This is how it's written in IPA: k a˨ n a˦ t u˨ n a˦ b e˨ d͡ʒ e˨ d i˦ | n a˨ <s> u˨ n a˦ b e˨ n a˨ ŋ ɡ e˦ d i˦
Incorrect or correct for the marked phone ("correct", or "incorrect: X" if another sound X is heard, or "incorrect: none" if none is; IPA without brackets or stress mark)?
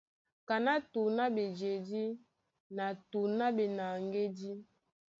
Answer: incorrect: t